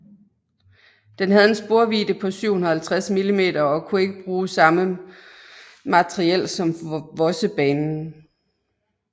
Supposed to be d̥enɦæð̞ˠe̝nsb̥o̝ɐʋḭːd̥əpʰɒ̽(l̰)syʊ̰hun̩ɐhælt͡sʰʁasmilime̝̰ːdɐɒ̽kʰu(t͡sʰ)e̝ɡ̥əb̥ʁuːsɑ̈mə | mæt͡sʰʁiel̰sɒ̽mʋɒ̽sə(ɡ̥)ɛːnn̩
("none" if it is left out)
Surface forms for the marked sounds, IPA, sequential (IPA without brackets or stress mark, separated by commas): none, none, b̥